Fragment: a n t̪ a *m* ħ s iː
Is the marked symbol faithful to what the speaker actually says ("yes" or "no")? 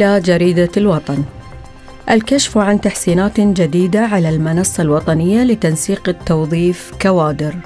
no